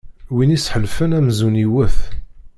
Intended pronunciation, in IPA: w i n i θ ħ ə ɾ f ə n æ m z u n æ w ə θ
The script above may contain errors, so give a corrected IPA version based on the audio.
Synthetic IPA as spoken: w i n i s ħ ə l f ə n æ m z u n i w ə θ